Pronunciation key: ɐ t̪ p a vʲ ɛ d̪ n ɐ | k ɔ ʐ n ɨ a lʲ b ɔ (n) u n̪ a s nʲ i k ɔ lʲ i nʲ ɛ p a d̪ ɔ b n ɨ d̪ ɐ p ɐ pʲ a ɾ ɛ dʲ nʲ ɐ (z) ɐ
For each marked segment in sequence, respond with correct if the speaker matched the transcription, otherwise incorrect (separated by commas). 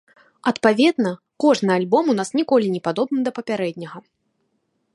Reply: incorrect, incorrect